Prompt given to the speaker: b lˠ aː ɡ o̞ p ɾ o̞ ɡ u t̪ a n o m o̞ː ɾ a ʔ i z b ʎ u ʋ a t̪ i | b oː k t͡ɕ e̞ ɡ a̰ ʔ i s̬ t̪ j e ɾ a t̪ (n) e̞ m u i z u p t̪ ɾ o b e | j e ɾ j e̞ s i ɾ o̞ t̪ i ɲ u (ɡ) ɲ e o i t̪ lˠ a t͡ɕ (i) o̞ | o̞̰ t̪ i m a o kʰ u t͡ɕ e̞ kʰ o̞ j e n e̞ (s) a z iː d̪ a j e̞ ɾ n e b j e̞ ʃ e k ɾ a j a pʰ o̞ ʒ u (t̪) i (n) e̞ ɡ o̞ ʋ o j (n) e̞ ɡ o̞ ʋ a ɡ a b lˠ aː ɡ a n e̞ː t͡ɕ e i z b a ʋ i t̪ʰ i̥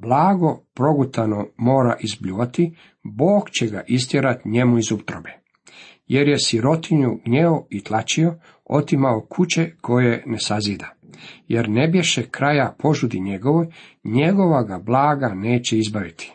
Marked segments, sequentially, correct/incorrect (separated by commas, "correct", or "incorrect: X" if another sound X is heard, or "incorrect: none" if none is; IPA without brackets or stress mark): incorrect: ɲ, correct, correct, correct, incorrect: d̪, incorrect: ɲ, incorrect: ɲ